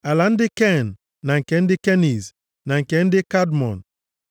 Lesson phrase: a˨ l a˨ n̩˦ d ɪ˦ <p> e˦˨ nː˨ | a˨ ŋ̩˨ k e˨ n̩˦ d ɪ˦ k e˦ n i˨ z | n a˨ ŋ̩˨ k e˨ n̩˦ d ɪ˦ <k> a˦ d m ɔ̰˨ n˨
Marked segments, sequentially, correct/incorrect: incorrect, correct

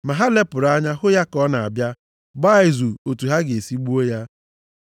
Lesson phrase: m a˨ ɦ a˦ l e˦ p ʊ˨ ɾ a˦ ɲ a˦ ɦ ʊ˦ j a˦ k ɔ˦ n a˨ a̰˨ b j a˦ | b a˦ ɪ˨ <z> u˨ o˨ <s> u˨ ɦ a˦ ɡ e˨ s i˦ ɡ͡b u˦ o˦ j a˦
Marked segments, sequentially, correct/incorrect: correct, incorrect

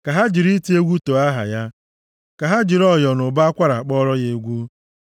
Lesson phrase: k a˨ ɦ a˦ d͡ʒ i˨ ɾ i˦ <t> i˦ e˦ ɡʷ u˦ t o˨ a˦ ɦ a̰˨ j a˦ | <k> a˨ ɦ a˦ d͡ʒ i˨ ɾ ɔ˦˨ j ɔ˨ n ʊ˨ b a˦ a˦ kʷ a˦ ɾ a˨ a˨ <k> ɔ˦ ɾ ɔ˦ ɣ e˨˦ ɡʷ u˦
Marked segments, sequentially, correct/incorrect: correct, correct, incorrect

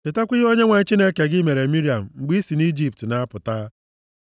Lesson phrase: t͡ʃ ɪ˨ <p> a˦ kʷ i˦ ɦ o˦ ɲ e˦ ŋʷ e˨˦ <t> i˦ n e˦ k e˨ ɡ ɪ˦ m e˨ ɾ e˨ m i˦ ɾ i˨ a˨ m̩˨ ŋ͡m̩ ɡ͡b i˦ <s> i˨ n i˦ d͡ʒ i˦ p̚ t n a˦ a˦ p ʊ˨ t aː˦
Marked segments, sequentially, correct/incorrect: incorrect, incorrect, correct

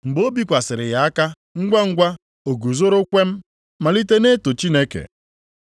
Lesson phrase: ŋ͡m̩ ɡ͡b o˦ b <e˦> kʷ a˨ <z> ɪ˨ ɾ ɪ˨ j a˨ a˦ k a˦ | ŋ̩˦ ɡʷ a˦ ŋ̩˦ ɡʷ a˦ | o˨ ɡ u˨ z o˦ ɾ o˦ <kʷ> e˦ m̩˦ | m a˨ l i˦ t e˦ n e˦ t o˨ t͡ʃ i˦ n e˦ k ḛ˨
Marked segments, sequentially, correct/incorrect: incorrect, incorrect, correct

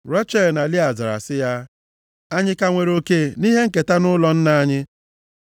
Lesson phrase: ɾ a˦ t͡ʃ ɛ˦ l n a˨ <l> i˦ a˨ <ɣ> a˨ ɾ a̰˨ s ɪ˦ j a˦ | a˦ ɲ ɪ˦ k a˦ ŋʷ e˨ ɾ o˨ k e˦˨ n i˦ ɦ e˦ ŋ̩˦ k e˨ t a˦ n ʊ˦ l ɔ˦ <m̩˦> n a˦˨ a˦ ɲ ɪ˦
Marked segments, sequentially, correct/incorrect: correct, incorrect, incorrect

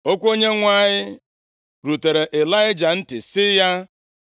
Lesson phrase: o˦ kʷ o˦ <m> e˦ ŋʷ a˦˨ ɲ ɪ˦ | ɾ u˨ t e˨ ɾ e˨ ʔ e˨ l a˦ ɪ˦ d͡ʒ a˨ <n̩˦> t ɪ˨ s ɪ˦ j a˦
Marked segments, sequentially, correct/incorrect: incorrect, correct

